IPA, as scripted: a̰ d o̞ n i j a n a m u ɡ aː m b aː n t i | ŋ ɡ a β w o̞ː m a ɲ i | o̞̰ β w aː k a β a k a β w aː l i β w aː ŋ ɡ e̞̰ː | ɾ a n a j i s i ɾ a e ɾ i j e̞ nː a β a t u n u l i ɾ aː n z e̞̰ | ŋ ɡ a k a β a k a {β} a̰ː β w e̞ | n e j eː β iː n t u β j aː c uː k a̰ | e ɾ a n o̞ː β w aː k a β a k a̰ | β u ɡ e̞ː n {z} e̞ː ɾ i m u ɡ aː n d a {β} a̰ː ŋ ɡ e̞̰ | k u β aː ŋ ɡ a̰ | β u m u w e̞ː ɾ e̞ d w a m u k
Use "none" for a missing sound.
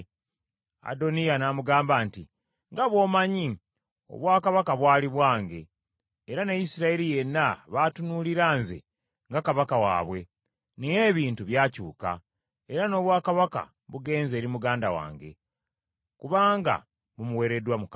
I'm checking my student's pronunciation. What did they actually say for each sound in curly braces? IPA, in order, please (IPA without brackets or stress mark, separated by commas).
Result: w, z, w